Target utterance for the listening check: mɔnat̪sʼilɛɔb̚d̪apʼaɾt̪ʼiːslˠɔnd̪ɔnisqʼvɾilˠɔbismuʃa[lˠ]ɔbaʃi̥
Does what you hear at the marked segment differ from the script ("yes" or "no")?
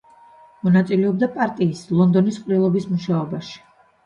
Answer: yes